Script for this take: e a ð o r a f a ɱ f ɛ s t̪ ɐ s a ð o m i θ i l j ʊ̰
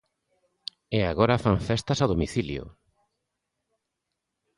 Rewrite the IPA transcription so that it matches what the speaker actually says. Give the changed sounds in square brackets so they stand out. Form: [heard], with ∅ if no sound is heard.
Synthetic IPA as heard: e a [ɣ] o [ɾ] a f a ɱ f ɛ s t̪ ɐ s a ð o m i θ i l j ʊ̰